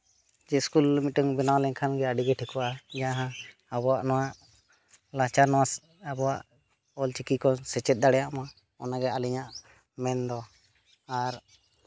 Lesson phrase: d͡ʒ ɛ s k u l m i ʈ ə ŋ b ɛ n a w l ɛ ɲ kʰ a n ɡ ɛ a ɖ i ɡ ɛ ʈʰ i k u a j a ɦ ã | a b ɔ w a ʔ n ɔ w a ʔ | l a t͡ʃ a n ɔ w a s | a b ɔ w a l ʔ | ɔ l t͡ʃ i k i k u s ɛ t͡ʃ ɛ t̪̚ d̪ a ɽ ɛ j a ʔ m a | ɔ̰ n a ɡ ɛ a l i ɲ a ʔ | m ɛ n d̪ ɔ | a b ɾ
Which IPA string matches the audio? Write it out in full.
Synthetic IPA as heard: d͡ʒ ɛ s k u l m i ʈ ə ŋ b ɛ n a w l ɛ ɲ kʰ a n ɡ ɛ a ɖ i ɡ ɛ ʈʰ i k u a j a ɦ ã | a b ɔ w a ʔ n ɔ w a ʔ | l a t͡ʃ a n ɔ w a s | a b ɔ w a ʔ | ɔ l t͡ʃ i k i k ɔ s ɛ t͡ʃ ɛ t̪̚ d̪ a ɽ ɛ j a ʔ m a | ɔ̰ n a ɡ ɛ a l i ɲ a ʔ | m ɛ n d̪ ɔ | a ɾ